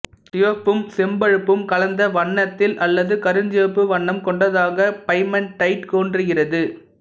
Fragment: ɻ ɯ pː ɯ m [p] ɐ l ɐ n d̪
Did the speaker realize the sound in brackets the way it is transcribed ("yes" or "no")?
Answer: no